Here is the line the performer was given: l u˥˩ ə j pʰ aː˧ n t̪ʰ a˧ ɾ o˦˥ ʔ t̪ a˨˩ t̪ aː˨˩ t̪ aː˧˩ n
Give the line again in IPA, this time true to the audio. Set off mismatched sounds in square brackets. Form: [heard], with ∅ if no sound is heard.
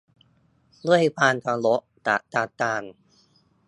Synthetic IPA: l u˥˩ ə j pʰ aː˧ n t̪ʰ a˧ [l] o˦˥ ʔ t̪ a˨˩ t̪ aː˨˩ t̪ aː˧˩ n